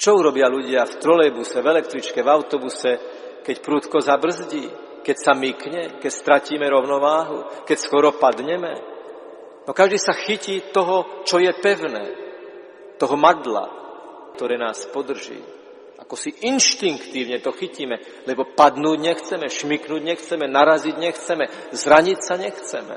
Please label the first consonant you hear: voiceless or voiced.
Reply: voiceless